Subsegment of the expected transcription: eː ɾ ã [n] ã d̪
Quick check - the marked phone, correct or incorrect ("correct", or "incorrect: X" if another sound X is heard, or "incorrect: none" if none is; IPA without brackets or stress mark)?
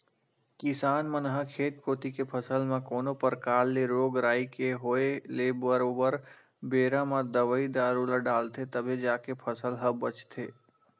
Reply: incorrect: m